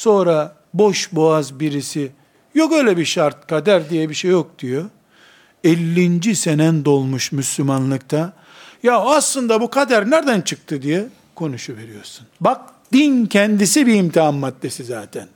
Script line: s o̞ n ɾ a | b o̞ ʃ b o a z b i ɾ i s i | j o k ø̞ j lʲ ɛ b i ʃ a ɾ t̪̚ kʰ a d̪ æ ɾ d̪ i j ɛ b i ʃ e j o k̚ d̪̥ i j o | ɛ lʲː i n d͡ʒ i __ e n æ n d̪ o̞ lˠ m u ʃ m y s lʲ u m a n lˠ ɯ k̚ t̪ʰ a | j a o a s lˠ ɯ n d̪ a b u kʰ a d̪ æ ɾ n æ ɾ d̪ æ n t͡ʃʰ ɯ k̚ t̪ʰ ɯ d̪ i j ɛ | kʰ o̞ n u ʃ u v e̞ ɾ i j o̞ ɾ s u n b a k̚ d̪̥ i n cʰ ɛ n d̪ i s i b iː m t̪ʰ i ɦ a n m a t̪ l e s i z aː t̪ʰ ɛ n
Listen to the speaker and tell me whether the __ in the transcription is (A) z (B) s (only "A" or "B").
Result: B